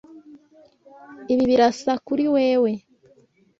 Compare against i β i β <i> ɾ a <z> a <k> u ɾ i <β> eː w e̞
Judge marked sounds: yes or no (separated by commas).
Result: yes, no, yes, no